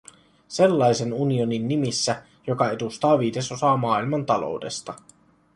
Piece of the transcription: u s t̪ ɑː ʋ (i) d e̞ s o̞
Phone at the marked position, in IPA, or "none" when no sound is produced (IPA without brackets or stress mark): iː